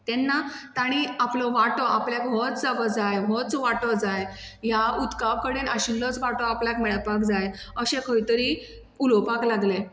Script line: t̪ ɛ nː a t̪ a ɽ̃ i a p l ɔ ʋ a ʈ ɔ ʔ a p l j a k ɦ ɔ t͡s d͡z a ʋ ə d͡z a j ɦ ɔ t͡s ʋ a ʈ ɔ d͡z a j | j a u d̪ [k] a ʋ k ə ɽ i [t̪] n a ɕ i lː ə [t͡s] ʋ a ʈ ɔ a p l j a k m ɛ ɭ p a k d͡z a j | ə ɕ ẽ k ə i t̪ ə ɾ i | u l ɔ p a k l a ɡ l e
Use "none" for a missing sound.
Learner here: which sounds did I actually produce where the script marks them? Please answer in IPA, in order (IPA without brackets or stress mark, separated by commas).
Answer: k, none, t͡s